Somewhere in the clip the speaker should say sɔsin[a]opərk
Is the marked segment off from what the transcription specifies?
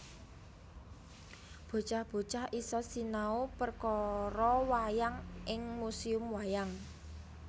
no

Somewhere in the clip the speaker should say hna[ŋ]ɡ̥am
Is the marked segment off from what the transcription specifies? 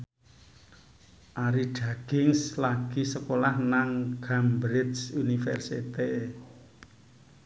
no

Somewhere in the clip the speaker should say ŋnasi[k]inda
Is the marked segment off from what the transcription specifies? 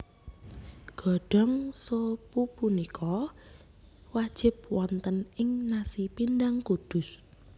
yes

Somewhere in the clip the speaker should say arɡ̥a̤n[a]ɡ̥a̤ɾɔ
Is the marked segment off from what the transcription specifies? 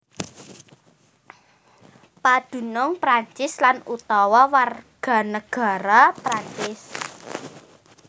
yes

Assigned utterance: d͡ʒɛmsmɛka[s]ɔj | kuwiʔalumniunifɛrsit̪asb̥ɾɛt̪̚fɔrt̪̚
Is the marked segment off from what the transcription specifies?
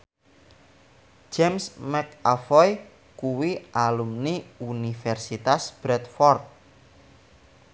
yes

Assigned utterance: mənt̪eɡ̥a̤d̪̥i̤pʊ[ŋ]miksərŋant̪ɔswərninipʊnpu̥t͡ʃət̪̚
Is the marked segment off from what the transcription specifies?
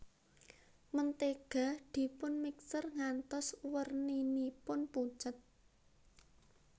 yes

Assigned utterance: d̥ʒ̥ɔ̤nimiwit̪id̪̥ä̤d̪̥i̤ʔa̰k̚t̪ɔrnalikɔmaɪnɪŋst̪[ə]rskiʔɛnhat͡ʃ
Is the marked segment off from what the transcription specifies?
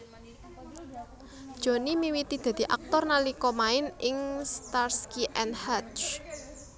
yes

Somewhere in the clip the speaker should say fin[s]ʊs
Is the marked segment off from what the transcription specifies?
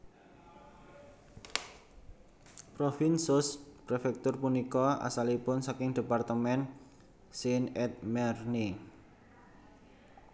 no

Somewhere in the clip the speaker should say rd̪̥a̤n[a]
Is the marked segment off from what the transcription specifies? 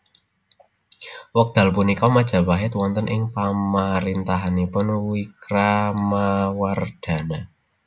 no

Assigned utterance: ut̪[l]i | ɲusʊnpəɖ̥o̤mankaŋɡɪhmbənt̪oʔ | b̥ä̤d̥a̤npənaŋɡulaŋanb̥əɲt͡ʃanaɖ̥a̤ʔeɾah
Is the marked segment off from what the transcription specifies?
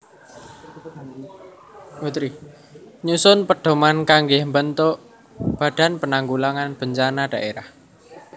yes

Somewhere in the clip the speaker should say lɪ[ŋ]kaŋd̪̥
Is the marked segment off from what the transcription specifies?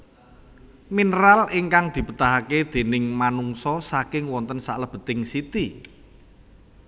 no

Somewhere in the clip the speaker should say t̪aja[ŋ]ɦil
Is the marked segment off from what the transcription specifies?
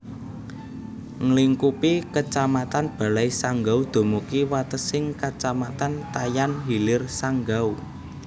yes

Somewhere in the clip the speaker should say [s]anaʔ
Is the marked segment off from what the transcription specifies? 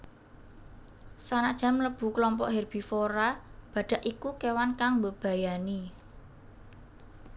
no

